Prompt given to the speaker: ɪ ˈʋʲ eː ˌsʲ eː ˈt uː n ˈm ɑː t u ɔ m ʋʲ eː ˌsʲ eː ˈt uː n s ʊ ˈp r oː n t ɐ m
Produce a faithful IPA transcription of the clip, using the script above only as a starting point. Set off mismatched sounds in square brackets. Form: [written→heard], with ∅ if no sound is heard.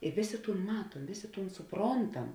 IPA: ɪ ˈʋʲ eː ˌsʲ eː ˈt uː n ˈm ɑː t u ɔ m ʋʲ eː ˌsʲ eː ˈt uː n s ʊ ˈp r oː n t ɐ m